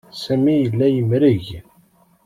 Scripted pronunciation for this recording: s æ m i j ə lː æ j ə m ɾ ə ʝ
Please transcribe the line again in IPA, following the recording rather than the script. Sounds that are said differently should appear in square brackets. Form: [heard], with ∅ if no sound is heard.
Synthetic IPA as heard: s æ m i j ə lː æ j ə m ɾ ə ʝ